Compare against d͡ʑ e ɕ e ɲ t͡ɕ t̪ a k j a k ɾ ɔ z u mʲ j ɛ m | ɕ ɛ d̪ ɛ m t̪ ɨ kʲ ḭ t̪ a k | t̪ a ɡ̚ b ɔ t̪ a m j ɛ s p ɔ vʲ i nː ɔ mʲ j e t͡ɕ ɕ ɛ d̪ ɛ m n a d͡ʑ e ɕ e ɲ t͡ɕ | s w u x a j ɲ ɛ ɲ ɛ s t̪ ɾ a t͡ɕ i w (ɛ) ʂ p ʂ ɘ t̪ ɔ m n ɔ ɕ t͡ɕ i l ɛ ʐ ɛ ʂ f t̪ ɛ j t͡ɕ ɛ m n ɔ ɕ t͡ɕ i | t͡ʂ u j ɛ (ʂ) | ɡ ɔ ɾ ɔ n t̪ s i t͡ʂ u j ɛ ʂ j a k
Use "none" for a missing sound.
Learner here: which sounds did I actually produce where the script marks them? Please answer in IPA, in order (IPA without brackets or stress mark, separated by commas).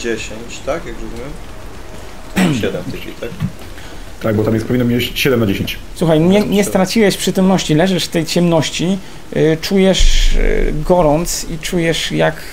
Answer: ɛ, ʂ